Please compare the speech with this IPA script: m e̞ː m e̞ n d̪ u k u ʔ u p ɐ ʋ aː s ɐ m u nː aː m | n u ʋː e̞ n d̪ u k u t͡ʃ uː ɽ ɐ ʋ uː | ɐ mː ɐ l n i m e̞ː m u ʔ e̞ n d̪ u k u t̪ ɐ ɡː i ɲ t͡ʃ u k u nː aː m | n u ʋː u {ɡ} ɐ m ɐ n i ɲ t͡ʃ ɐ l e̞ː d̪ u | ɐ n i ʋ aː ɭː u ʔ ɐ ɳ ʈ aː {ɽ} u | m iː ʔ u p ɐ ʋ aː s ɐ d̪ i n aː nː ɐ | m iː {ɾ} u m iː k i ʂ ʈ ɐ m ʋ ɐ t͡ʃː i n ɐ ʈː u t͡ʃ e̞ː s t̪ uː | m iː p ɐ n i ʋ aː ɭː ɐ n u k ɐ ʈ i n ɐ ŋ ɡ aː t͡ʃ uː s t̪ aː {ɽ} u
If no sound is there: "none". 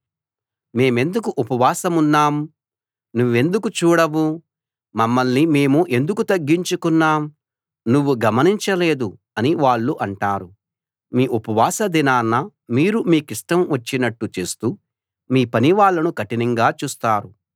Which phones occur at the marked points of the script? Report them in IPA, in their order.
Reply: ɡ, ɾ, ɾ, ɾ

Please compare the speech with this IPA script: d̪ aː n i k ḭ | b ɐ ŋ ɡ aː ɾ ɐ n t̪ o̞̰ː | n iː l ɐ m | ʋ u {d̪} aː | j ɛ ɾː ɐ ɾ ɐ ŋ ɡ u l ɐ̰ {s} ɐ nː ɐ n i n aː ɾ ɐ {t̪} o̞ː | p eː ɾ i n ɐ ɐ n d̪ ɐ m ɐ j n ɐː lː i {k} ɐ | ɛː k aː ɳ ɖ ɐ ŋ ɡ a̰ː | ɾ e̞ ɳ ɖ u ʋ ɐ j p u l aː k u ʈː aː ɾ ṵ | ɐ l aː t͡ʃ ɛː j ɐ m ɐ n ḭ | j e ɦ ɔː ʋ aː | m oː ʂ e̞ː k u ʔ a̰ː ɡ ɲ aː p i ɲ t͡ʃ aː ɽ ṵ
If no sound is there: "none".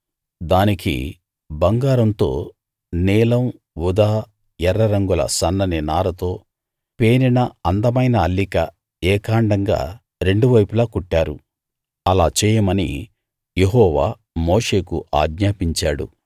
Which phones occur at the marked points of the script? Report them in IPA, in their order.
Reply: d̪, s, t̪, k

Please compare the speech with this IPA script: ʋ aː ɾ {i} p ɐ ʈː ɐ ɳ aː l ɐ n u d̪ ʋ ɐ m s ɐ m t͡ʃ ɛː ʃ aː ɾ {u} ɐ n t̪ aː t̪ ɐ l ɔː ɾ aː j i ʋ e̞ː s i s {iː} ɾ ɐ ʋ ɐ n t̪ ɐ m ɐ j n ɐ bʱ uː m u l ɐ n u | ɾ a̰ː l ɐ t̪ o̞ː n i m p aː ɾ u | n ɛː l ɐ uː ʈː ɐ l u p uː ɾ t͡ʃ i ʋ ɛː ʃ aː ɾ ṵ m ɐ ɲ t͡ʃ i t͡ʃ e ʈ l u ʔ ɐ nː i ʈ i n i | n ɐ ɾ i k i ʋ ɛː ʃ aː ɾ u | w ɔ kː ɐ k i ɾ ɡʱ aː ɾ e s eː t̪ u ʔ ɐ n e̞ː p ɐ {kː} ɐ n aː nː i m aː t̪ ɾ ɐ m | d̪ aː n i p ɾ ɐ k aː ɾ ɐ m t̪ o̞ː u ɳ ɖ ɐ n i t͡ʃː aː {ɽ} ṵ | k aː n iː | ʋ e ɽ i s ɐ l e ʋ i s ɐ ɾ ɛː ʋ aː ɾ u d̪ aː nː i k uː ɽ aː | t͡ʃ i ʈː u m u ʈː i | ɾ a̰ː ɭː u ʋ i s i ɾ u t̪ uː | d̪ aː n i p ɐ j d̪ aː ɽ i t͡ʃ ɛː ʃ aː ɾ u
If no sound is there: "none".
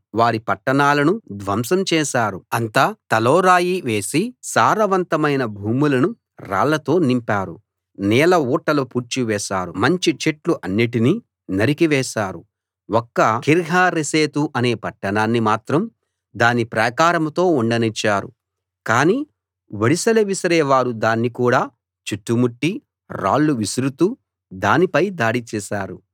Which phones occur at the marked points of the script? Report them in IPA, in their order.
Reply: i, u, aː, ʈː, ɾ

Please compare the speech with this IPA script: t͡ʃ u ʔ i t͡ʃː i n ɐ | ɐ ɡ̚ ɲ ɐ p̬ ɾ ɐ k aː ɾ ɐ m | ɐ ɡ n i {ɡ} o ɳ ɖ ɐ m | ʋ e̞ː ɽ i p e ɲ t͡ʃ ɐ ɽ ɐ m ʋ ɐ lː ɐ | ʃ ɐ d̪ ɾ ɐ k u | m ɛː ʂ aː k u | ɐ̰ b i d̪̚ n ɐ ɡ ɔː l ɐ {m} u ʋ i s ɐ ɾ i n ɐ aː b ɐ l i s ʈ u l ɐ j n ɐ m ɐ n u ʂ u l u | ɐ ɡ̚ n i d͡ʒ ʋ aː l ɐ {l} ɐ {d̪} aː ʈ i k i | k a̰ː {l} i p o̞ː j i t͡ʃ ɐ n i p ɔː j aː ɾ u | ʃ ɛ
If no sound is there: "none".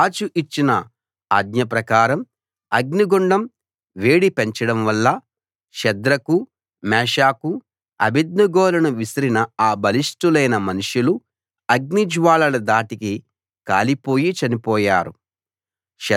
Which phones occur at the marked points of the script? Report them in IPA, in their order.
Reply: ɡ, n, l, d̪, l

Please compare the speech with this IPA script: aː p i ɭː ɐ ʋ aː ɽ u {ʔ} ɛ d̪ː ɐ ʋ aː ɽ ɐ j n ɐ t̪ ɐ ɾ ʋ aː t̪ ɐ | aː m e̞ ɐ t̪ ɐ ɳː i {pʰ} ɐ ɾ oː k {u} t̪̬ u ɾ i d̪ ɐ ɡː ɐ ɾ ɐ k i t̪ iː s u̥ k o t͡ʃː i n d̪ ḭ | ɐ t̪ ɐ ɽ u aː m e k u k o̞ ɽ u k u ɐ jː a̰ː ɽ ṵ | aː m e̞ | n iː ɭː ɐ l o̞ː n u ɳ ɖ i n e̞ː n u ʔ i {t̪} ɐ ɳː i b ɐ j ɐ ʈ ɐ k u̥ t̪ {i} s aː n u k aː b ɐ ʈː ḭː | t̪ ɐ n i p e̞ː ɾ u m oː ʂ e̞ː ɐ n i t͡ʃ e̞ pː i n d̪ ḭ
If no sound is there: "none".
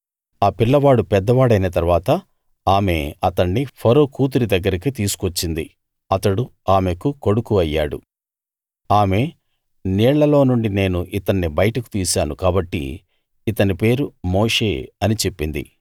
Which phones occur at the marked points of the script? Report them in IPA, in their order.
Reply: p, pʰ, uː, t̪, iː

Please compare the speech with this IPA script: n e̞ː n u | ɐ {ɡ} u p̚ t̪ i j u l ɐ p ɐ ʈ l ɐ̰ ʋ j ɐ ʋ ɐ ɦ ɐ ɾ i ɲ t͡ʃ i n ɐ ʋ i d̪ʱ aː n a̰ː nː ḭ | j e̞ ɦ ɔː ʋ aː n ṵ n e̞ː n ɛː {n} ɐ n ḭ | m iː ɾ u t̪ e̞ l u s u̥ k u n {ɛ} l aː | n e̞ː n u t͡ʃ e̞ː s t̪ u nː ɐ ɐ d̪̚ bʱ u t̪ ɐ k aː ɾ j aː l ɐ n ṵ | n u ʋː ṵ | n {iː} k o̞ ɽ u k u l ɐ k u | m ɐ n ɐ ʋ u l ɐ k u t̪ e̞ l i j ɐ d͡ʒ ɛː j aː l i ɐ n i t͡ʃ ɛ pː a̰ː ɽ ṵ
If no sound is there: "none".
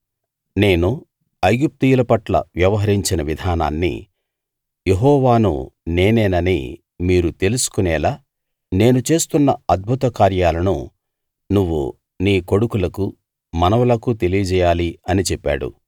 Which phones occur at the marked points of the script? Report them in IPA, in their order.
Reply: ɡ, n, ɛː, iː

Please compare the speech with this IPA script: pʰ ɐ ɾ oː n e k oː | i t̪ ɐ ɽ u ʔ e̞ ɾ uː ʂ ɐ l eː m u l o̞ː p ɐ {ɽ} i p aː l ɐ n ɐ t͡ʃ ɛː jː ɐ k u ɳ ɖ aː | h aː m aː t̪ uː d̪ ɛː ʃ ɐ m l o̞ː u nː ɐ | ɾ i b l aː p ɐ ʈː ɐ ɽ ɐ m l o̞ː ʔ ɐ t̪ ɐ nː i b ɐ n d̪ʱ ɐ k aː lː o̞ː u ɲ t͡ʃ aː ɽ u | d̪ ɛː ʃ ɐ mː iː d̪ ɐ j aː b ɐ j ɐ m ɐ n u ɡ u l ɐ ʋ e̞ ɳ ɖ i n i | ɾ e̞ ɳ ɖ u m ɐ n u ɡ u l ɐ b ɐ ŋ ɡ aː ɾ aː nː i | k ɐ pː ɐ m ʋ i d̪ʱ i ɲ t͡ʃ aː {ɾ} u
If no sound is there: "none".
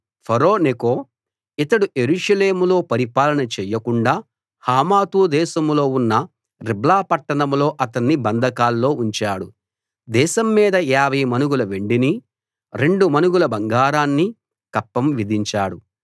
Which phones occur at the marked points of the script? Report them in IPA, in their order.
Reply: ɾ, ɽ

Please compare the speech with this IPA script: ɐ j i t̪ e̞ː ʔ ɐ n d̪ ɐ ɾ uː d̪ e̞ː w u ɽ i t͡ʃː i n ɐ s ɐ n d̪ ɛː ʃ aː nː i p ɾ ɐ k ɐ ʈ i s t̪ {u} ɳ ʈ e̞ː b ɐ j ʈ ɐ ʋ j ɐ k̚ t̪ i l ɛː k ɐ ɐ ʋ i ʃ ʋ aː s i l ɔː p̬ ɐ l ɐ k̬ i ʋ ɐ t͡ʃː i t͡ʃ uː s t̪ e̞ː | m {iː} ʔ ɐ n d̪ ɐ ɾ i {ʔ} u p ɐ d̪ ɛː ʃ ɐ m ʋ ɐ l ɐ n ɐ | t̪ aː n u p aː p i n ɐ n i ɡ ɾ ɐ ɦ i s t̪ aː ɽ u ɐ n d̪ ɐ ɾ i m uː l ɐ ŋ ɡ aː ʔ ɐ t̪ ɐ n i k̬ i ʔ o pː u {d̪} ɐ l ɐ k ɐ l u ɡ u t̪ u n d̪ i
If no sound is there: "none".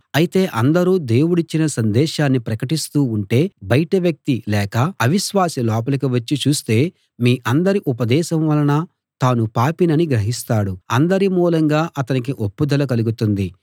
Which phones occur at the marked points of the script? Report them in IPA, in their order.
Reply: uː, iː, ʔ, d̪

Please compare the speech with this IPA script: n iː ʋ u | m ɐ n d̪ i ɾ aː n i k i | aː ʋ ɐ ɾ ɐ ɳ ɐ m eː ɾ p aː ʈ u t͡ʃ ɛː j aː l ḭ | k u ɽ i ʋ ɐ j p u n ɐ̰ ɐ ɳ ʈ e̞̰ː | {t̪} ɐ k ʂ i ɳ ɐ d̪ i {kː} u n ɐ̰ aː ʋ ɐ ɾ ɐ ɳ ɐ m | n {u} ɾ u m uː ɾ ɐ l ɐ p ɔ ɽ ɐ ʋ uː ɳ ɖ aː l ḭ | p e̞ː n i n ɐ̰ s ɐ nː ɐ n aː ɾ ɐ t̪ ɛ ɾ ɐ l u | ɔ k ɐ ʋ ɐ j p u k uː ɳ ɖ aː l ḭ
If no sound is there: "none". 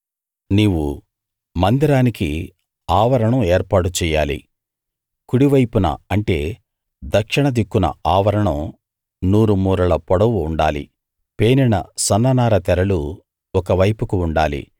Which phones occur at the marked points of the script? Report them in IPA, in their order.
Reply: d̪, kː, uː

